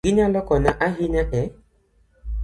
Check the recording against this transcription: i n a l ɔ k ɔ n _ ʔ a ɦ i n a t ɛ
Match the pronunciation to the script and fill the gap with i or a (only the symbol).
a